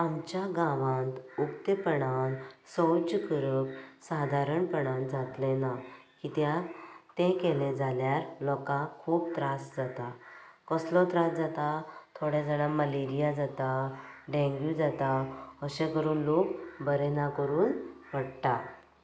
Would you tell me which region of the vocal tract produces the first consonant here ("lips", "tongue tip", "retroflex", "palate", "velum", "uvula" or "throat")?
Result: lips